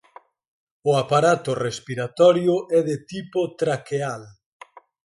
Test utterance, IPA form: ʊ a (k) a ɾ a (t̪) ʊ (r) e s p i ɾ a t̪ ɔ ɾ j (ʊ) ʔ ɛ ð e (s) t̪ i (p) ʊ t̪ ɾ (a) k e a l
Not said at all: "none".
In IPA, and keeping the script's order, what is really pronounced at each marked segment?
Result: p, t̪, r, ʊ, none, p, a

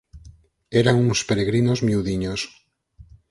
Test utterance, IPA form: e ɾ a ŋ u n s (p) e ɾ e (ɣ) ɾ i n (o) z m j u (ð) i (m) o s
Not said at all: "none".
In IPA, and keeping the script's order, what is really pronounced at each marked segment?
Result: p, ɣ, o, ð, ɲ

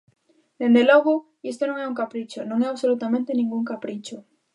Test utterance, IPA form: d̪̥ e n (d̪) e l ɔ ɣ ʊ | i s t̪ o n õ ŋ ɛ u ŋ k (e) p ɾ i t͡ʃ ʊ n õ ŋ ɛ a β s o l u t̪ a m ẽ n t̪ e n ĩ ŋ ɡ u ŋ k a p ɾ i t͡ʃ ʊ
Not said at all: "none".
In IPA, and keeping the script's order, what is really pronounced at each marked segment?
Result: d̪, a

